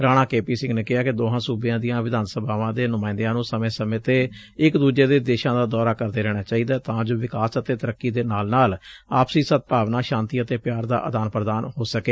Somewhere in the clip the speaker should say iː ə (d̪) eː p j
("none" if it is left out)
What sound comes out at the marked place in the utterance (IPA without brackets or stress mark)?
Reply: t̪